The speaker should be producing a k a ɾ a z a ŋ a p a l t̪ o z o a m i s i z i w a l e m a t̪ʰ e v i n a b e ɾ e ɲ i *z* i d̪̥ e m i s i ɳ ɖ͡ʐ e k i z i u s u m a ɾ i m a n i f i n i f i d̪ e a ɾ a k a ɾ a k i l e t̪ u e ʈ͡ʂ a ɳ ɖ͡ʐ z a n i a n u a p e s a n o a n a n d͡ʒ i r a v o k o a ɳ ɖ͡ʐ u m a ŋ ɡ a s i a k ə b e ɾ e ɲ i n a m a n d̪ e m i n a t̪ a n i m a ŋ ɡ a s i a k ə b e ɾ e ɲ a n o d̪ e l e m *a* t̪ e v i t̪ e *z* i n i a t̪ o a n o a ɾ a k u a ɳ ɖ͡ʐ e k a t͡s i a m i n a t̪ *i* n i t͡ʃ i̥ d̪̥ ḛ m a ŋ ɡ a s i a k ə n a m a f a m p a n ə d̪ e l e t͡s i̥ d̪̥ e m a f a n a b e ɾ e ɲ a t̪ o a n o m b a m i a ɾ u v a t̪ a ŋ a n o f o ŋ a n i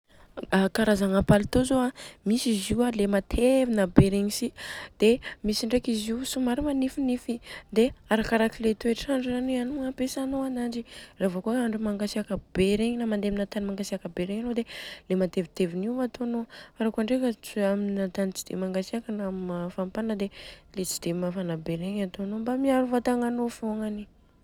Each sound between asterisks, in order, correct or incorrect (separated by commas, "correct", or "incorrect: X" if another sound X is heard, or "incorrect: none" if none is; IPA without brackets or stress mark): incorrect: s, correct, incorrect: v, incorrect: a